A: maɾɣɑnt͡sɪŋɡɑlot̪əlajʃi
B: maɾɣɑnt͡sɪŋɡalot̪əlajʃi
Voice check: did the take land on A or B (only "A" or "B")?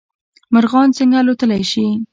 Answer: B